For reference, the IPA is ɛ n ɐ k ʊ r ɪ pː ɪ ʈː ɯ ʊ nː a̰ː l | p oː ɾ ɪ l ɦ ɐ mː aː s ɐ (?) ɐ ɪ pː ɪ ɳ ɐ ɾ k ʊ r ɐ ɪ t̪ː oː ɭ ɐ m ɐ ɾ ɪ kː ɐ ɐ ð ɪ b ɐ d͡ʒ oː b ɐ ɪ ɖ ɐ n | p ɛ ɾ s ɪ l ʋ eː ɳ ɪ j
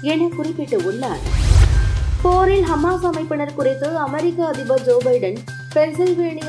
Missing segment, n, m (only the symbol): m